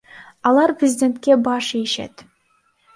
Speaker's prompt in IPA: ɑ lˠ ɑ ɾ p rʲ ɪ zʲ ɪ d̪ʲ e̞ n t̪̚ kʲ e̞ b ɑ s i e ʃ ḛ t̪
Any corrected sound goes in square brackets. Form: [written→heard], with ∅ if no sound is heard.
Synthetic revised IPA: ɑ lˠ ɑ ɾ p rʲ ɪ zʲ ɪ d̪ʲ e̞ n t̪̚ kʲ e̞ b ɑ [s→ʃ] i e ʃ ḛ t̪